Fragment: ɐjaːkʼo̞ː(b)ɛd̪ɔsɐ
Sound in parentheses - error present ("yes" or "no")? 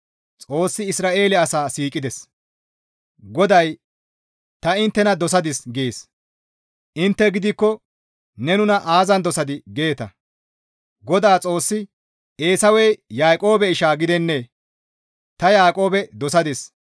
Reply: no